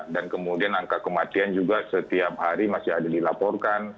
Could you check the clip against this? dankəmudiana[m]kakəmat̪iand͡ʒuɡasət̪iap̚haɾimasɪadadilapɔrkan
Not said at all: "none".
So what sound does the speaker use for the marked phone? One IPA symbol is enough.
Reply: ŋ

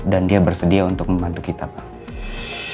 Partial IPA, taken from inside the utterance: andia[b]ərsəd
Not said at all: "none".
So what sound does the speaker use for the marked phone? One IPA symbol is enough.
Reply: b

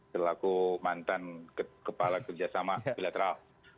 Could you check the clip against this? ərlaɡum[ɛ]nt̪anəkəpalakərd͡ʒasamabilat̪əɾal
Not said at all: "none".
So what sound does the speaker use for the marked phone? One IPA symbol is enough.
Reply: a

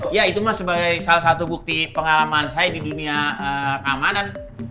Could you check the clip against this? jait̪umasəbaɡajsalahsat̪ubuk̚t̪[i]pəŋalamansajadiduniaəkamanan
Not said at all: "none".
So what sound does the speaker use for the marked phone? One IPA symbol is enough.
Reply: i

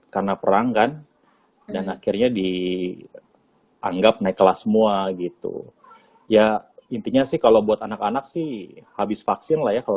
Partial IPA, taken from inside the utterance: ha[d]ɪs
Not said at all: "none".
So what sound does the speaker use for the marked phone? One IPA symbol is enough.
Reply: b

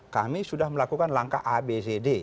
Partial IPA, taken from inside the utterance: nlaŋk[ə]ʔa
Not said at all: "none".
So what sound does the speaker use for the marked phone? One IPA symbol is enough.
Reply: a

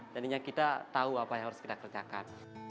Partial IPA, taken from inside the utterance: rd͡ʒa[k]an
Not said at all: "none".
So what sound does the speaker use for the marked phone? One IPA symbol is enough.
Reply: k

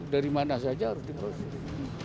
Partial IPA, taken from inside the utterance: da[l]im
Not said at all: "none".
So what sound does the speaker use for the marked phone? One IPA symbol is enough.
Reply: ɾ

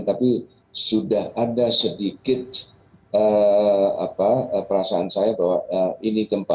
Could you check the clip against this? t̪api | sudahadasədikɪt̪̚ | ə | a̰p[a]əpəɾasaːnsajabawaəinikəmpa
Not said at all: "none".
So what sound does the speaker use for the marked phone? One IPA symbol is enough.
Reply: a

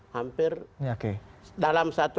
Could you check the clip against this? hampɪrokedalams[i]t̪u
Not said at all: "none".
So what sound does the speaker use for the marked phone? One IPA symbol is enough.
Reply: a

